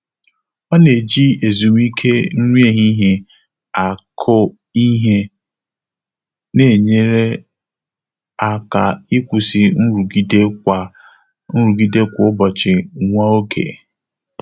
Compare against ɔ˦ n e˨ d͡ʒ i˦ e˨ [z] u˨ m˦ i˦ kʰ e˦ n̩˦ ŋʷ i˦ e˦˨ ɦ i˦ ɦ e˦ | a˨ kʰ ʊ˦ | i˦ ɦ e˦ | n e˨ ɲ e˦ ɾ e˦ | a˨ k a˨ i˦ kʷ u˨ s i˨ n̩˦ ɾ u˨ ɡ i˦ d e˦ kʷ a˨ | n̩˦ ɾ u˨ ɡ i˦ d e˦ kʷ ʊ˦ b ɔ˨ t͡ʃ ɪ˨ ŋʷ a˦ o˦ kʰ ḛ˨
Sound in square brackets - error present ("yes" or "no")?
no